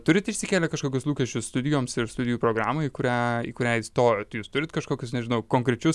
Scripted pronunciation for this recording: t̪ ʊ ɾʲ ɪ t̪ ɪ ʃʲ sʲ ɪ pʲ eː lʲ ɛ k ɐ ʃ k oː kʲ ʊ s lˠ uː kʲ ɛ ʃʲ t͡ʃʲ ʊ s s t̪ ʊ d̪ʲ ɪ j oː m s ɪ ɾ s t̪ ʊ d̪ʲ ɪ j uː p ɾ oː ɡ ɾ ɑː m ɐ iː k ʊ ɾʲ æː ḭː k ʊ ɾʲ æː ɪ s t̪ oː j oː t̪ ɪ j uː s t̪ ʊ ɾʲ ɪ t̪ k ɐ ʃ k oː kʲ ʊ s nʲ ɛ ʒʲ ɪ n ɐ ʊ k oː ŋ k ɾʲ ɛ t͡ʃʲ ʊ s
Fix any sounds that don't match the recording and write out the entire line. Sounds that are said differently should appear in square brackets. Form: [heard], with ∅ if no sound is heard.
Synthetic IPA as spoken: t̪ ʊ ɾʲ ɪ t̪ ɪ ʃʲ sʲ ɪ [kʲ] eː lʲ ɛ k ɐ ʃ k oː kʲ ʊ s lˠ uː kʲ ɛ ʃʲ t͡ʃʲ ʊ s s t̪ ʊ d̪ʲ ɪ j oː m s ɪ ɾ s t̪ ʊ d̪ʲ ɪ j uː p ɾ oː ɡ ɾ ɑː m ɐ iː k ʊ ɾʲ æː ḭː k ʊ ɾʲ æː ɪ s t̪ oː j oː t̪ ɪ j uː s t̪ ʊ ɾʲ ɪ t̪ k ɐ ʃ k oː kʲ ʊ s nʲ ɛ ʒʲ ɪ n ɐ ʊ k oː ŋ k ɾʲ ɛ t͡ʃʲ ʊ s